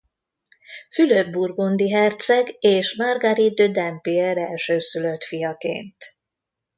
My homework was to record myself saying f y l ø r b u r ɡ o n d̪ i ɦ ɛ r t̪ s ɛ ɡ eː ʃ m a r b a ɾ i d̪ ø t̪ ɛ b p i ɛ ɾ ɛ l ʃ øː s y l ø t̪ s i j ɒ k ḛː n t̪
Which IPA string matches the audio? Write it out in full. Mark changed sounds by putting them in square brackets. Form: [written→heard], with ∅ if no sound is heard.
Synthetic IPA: f y l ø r b u r ɡ o n d̪ i ɦ ɛ r t̪ s ɛ ɡ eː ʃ m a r [b→ɡ] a ɾ i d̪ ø [t̪→d̪] ɛ [b→m] p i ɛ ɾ ɛ l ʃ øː s y l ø t̪ [s→f] i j ɒ k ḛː n t̪